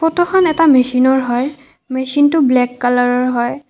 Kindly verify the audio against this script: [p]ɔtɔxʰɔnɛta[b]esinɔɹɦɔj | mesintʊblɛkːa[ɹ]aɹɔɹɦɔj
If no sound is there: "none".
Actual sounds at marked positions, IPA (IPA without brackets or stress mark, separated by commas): p, m, l